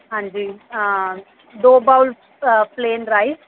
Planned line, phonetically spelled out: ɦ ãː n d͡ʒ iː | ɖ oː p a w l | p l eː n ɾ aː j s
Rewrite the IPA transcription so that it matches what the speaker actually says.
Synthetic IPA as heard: ɦ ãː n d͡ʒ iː | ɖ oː b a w l | p l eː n ɾ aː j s

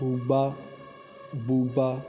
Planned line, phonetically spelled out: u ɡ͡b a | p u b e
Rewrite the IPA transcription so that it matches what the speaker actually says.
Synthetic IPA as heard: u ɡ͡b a | b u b a

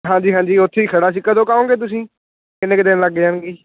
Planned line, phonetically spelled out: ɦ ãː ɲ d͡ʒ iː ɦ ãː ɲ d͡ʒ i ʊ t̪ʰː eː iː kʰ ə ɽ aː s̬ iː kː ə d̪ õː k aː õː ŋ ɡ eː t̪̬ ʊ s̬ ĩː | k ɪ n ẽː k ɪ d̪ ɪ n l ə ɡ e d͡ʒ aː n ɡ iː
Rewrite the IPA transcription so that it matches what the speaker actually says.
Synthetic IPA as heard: ɦ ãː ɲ d͡ʒ iː ɦ ãː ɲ d͡ʒ iː ʊ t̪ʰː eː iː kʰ ə ɽ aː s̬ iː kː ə d̪ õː k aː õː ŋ ɡ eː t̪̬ ʊ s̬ ĩː | k ɪ n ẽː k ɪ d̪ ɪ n l ə ɡ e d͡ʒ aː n ɡ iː

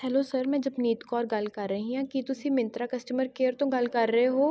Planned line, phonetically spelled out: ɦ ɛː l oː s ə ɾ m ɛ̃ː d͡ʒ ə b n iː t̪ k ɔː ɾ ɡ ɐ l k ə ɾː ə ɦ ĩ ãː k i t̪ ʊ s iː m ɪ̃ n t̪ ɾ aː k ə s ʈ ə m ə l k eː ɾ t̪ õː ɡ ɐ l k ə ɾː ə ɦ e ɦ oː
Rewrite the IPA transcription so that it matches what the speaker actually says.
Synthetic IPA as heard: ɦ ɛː l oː s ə ɾ m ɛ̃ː d͡ʒ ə b n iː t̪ k ɔː ɾ ɡ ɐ l k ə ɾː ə ɦ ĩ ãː k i t̪ ʊ s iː m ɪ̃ n t̪ ɾ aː k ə s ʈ ə m ə ɾ k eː ɾ t̪ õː ɡ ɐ l k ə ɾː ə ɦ e ɦ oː

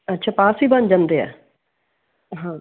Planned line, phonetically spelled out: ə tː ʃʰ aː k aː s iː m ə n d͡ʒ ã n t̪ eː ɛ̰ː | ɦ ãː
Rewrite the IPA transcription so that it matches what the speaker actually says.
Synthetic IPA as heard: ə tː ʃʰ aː p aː s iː b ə n d͡ʒ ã n d̪ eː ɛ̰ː | ɦ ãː

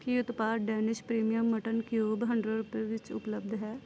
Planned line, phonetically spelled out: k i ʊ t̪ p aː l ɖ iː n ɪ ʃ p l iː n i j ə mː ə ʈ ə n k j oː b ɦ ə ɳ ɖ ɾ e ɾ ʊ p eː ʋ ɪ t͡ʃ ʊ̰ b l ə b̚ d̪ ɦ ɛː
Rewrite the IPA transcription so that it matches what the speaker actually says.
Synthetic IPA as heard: k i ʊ t̪ p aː ɾ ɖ ɛː n ɪ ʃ p ɾ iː m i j ə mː ə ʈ ə n k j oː b ɦ ə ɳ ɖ ɾ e ɾ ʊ p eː ʋ ɪ t͡ʃ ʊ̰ p l ə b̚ d̪ ɦ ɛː

